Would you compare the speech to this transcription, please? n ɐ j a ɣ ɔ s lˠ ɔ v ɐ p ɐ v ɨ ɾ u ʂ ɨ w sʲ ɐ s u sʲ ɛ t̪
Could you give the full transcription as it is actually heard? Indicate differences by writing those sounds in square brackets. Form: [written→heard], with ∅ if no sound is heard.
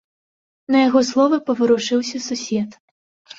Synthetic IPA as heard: n ɐ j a ɣ ɔ s lˠ ɔ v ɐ p ɐ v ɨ ɾ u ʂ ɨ w sʲ ɐ s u sʲ ɛ t̪